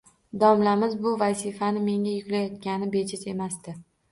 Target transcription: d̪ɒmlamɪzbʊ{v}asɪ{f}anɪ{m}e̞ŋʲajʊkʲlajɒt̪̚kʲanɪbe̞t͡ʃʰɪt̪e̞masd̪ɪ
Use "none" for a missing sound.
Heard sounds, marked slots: v, f, m

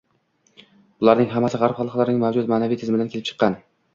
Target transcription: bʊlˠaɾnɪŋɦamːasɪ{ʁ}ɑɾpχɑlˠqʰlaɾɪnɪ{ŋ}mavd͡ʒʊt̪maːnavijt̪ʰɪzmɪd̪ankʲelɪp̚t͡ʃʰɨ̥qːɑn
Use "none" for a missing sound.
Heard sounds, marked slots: ʁ, ŋ

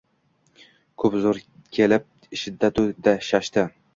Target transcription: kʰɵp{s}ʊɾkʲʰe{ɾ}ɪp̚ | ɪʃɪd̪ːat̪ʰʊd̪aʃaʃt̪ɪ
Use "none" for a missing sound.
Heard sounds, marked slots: z, l

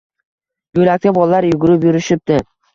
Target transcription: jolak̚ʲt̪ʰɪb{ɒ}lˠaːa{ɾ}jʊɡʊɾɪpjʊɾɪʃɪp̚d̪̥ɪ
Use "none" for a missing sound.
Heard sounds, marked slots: ɒ, ɾ

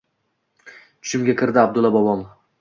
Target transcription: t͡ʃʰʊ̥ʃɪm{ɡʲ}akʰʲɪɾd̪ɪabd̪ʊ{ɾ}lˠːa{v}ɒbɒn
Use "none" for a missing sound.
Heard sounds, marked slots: ɡʲ, none, b

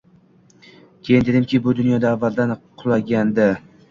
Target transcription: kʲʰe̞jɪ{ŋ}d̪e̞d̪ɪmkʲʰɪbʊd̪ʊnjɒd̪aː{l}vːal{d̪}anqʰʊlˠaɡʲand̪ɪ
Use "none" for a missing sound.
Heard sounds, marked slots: n, none, d̪

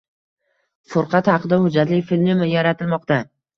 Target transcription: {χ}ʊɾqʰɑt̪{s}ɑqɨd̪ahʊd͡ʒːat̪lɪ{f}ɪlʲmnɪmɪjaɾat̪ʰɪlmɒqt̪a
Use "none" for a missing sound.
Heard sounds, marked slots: f, h, f

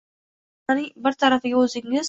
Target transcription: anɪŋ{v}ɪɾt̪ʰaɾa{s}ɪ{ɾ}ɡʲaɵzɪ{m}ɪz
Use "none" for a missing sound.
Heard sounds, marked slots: b, f, none, ŋ

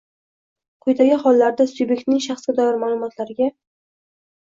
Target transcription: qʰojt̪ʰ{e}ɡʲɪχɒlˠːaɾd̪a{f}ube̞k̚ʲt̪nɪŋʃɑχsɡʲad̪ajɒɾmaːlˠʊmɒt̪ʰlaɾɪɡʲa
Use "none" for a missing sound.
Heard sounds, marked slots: a, s

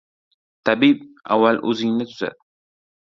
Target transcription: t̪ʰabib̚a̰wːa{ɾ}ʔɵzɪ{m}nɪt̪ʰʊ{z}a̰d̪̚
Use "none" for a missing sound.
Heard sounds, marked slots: l, ŋ, z

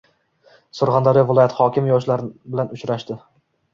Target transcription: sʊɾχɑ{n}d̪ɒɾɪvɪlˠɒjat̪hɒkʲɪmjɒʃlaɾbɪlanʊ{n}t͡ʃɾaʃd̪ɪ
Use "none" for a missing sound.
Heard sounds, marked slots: n, none

